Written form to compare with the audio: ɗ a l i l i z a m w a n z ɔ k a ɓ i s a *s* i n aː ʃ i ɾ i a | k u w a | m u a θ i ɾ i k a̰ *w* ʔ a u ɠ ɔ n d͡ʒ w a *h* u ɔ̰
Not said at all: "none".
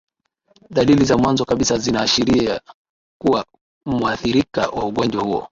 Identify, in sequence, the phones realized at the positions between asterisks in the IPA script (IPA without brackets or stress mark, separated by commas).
z, w, h